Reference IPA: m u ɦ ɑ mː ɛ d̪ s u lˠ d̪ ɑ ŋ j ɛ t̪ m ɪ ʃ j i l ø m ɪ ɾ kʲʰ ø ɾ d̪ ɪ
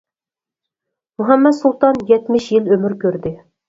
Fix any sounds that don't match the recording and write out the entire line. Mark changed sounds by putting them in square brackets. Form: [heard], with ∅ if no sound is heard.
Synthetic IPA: m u ɦ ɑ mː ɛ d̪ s u lˠ [t̪] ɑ [n] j ɛ t̪ m ɪ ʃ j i l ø m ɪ ɾ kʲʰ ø ɾ d̪ ɪ